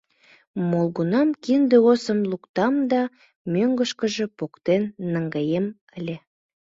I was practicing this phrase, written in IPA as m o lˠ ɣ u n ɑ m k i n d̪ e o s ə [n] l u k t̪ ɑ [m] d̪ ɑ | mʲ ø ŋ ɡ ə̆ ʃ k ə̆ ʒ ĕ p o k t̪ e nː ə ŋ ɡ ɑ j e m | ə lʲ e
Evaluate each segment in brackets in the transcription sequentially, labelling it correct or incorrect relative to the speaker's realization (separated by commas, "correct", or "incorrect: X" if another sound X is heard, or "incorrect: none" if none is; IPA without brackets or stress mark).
incorrect: m, correct